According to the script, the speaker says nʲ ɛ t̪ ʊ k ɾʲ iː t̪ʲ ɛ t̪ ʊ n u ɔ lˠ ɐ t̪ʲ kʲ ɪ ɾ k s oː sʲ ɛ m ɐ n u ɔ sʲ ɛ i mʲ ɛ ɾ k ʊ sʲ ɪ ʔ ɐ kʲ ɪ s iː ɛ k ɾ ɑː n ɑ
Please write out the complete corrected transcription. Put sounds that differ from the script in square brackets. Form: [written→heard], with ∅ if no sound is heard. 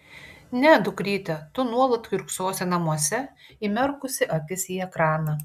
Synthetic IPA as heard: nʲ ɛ [t̪→d̪] ʊ k ɾʲ iː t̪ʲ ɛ t̪ ʊ n u ɔ lˠ ɐ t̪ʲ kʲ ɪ ɾ k s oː sʲ ɛ [m→n] ɐ [n→m] u ɔ sʲ ɛ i mʲ ɛ ɾ k ʊ sʲ ɪ ʔ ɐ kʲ ɪ s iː ɛ k ɾ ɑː n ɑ